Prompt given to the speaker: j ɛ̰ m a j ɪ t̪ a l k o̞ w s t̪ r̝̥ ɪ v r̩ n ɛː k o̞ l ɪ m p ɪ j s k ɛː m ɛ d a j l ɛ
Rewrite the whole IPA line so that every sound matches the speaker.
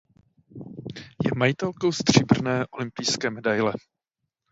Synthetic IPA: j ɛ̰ m a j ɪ t̪ ɛ l k o̞ w s t̪ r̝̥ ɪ b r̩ n ɛː ʔ o̞ l ɪ m p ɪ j s k ɛː m ɛ d a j l ɛ